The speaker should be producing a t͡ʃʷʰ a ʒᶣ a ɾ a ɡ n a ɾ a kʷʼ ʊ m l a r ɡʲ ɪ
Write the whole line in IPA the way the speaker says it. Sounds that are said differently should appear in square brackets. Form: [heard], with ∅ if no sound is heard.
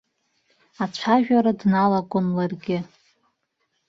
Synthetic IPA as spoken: a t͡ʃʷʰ a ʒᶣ a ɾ a [d] n a [l] a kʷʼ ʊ [n] l a r ɡʲ ɪ